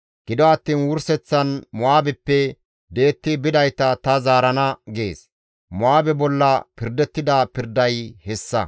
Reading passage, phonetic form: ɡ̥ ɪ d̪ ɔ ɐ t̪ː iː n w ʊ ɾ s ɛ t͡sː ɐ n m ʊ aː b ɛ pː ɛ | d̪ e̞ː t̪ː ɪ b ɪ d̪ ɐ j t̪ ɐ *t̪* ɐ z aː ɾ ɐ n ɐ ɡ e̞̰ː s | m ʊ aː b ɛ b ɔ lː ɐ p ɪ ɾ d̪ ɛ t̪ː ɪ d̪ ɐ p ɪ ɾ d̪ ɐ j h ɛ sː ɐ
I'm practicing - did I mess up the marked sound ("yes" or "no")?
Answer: no